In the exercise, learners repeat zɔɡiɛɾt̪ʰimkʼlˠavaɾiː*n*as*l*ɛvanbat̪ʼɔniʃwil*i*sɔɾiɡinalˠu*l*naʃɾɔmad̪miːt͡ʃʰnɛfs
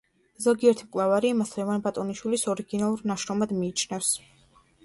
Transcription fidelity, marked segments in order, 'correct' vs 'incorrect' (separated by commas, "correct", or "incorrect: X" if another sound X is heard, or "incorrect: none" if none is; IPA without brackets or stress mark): incorrect: m, correct, correct, incorrect: ɾ